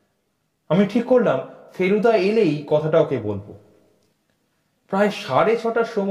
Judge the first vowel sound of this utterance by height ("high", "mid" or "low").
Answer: low